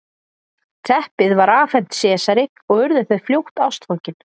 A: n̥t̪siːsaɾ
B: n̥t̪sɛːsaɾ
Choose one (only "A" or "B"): B